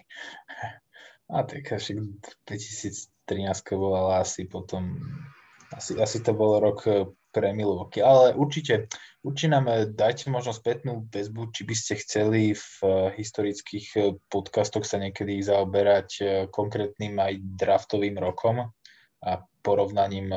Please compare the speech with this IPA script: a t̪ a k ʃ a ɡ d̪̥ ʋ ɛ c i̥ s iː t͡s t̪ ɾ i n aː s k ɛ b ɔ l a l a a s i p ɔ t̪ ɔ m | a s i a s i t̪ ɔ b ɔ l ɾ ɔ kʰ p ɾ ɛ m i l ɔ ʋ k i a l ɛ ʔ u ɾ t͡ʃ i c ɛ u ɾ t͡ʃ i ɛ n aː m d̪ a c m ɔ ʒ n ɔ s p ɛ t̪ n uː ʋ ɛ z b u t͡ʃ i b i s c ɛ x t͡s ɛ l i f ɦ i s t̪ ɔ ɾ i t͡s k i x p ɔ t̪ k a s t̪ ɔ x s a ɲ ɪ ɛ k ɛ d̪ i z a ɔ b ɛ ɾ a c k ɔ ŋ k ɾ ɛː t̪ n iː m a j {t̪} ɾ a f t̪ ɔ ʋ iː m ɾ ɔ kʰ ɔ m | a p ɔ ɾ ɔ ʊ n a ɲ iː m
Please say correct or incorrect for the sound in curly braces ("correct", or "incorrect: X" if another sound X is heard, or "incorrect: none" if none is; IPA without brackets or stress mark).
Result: incorrect: d̪